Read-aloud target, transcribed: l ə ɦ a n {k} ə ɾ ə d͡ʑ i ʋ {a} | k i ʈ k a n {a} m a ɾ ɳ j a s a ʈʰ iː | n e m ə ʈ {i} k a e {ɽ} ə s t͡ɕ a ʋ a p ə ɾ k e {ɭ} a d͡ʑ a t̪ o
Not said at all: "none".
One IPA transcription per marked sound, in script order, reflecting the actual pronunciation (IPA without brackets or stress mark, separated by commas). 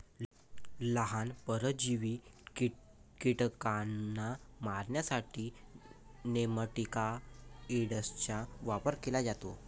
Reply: p, i, a, i, ɽ, l